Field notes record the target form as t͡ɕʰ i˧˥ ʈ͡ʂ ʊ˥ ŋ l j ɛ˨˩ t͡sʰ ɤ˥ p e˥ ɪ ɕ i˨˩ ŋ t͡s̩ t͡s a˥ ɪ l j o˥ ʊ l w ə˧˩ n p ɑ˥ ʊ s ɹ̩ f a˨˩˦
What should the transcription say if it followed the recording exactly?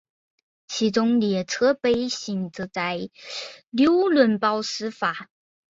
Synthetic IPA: t͡ɕʰ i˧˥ ʈ͡ʂ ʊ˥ ŋ l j ɛ˨˩ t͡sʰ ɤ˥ p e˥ ɪ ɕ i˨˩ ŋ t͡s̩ t͡s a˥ ɪ l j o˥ ʊ l w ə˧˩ n p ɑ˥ ʊ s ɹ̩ f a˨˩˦